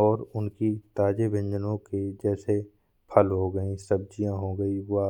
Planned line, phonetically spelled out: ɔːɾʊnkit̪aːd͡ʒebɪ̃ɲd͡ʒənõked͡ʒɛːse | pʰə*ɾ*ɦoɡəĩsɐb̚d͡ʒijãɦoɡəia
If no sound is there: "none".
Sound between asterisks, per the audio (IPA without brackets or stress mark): l